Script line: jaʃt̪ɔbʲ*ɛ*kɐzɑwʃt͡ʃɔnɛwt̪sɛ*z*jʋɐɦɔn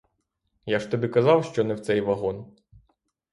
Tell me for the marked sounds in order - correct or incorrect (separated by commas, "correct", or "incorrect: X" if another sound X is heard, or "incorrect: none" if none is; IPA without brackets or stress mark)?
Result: incorrect: i, incorrect: none